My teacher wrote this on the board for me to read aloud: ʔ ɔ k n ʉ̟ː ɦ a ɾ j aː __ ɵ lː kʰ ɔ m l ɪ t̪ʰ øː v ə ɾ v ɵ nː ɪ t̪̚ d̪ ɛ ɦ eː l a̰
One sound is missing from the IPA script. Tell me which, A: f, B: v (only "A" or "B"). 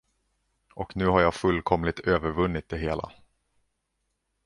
A